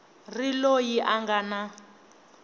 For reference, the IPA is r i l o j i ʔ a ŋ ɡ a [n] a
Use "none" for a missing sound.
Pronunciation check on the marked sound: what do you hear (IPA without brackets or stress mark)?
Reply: n